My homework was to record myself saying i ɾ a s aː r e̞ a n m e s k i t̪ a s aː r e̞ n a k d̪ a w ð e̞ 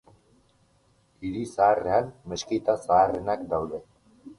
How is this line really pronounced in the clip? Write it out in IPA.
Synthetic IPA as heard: i ɾ i s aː r e̞ a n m e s k i t̪ a s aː r e̞ n a k d̪ a w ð e̞